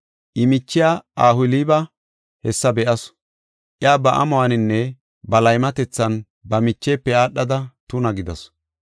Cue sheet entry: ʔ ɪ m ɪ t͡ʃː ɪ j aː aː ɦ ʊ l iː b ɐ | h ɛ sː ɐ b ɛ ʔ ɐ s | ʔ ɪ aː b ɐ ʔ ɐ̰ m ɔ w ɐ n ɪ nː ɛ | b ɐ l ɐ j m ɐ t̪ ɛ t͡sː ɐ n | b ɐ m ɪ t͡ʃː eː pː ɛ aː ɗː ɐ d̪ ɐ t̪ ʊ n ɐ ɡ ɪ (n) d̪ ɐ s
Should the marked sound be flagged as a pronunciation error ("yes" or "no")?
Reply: yes